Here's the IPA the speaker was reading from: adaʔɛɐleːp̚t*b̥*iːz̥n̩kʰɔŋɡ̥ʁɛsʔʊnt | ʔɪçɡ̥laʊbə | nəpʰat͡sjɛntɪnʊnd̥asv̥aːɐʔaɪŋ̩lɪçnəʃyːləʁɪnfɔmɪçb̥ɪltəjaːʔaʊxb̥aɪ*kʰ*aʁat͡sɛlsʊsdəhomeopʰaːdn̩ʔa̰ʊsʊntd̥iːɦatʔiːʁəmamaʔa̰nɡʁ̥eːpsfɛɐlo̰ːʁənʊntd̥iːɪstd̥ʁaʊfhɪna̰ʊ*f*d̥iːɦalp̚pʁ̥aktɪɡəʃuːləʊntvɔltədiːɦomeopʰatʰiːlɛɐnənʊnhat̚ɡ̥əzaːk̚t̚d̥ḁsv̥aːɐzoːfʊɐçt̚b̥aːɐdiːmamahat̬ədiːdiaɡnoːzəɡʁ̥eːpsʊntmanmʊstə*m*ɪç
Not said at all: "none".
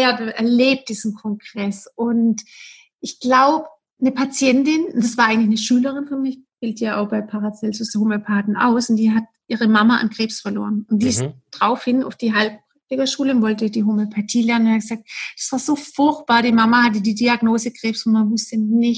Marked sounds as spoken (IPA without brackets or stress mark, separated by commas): d̥, pʰ, f, n